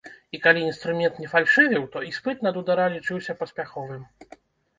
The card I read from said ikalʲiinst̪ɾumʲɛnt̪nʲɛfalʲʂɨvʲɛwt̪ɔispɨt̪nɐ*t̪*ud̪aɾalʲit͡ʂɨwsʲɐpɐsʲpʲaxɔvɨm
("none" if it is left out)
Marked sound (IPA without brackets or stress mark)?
d̪